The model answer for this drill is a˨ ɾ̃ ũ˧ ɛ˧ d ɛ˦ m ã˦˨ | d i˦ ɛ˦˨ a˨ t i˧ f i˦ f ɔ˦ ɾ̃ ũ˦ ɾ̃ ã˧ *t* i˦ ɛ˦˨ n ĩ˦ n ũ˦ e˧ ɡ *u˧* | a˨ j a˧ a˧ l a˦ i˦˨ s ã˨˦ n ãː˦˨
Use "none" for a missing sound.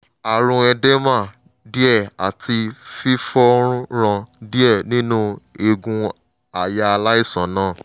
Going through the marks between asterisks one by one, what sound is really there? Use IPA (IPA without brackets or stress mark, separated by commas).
d, ũ˧